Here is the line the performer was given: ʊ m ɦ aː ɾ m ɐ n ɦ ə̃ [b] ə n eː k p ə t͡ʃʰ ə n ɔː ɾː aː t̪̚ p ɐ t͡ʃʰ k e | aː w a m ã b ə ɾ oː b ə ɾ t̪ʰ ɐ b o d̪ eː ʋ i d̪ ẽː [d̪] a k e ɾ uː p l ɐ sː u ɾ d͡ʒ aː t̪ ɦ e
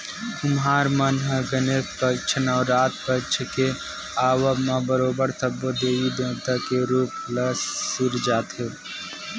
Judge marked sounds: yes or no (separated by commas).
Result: no, no